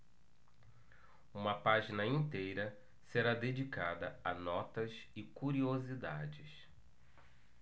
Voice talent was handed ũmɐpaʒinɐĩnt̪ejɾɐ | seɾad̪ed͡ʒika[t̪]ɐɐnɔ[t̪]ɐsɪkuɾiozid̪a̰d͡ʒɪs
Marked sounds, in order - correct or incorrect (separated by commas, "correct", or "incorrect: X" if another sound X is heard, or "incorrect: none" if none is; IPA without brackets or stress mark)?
incorrect: d̪, correct